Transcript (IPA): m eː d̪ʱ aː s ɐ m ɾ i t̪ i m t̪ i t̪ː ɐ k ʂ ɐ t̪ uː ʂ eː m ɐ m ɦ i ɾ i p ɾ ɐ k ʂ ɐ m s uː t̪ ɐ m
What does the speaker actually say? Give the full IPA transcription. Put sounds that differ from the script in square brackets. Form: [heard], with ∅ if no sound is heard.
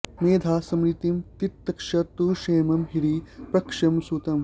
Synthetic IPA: m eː d̪ʱ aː s ɐ m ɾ i t̪ i m t̪ i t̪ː ɐ k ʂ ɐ t̪ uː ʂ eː m ɐ m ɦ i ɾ i p ɾ ɐ k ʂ ɐ m s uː t̪ ɐ m